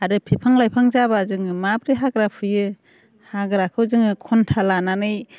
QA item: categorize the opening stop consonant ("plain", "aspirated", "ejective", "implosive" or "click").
aspirated